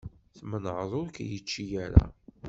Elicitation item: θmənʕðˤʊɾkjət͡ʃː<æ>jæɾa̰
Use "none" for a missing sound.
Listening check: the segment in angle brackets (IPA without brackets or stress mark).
i